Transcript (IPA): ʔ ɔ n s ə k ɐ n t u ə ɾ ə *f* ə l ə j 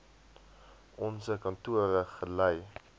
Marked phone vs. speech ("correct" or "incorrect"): incorrect